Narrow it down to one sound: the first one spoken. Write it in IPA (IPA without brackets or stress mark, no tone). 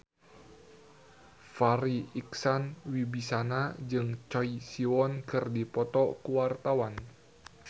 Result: f